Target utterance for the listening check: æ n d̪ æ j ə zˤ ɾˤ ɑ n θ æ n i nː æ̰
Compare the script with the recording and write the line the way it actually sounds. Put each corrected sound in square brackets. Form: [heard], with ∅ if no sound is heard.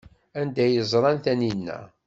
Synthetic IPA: æ n d̪ æ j ə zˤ ɾˤ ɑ n θ æ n i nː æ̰